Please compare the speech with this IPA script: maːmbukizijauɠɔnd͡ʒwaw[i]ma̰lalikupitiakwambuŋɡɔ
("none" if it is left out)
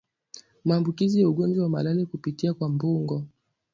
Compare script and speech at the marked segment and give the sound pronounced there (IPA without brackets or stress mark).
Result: a